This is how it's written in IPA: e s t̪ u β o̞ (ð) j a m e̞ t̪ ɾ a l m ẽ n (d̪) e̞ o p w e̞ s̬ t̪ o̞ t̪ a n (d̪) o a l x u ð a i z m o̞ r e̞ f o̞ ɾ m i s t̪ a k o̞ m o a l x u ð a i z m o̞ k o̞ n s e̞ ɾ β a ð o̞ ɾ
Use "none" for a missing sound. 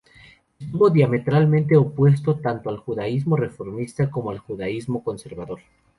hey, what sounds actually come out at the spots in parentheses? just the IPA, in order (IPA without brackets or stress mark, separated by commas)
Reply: ð, t̪, t̪